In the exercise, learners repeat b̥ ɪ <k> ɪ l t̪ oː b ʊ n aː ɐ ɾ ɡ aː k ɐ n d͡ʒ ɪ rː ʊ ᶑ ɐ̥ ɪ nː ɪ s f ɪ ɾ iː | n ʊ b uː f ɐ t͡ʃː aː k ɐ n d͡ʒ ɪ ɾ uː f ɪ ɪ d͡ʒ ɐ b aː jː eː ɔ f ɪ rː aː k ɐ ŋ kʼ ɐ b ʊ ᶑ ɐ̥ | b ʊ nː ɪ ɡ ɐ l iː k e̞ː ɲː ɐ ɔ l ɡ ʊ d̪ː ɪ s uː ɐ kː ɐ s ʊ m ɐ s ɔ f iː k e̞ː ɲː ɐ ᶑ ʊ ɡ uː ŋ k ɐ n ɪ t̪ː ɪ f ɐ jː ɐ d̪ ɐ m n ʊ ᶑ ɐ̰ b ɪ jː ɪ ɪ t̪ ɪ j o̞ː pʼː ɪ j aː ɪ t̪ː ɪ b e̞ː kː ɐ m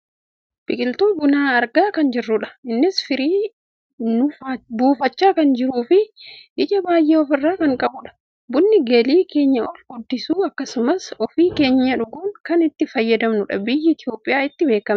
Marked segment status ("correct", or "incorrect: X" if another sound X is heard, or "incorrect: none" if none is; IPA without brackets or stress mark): incorrect: kʼ